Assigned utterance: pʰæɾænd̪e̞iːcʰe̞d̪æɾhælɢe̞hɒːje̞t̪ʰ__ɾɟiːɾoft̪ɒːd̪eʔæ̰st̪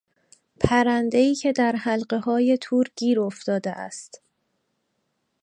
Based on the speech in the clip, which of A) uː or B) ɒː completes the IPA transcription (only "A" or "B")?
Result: A